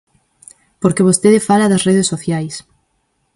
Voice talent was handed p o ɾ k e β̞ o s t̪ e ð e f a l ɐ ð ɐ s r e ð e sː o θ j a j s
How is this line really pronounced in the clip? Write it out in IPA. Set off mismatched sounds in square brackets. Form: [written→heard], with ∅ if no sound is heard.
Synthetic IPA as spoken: p o ɾ k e β̞ o s t̪ e ð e f a l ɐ ð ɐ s r e ð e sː o θ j a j s